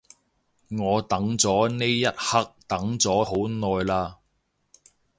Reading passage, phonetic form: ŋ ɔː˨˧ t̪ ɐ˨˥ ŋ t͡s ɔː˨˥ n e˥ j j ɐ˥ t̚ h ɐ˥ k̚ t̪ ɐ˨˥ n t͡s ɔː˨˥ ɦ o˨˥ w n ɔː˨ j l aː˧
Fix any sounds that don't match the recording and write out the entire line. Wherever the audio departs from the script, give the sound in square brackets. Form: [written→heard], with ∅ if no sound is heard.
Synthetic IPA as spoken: ŋ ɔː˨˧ t̪ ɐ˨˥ ŋ t͡s ɔː˨˥ n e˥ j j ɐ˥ t̚ h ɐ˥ k̚ t̪ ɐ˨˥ [n→ŋ] t͡s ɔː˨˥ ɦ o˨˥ w n ɔː˨ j l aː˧